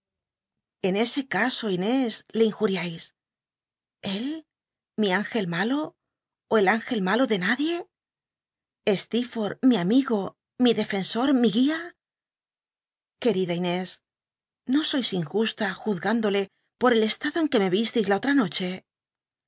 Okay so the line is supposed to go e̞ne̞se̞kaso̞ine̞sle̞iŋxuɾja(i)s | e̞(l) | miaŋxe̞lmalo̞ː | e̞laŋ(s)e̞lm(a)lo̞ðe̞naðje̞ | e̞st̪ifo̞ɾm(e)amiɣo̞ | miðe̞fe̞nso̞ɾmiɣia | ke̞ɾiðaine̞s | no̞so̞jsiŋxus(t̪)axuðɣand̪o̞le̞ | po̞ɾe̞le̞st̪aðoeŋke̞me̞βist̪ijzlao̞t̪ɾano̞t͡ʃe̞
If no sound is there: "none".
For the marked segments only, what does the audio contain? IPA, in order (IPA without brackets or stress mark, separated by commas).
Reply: j, l, x, a, i, t̪